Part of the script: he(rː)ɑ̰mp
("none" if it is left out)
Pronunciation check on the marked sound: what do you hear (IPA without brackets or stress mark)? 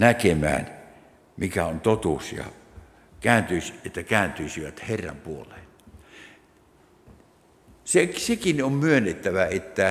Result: rː